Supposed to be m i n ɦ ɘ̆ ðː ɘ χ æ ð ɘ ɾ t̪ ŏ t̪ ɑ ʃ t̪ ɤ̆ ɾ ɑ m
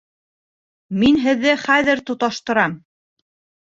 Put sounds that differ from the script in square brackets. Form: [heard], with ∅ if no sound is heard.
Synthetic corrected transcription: m i n ɦ ɘ̆ ðː ɘ χ æ ð ɘ ɾ t̪ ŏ t̪ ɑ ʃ t̪ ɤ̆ ɾ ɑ m